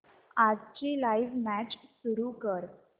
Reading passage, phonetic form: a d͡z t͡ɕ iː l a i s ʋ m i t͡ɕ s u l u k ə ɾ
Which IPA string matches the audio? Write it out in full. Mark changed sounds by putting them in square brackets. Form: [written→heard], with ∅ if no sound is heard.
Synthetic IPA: a d͡z t͡ɕ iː l a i [s→∅] ʋ m [i→æ] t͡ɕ s u [l→ɾ] u k ə ɾ